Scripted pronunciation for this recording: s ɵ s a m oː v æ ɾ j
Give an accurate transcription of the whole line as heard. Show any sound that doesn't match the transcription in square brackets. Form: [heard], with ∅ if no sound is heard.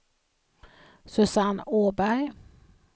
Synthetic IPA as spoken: s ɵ s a [n] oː [b] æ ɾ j